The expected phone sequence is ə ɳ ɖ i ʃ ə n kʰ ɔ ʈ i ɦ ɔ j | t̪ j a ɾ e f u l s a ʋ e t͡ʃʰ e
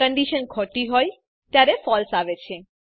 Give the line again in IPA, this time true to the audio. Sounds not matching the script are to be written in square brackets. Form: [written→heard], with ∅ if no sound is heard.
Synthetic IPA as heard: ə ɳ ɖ i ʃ ə n kʰ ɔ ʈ i ɦ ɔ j | t̪ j a ɾ e f [u→ɔ] l s a ʋ e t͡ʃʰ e